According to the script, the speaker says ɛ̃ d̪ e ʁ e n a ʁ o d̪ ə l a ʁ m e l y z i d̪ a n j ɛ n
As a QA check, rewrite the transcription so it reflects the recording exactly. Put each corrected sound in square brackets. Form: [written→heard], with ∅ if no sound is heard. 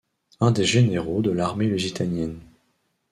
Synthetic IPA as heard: ɛ̃ d̪ e [ʁ→ʒ] e n [a→e] ʁ o d̪ ə l a ʁ m e l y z i [d̪→t̪] a n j ɛ n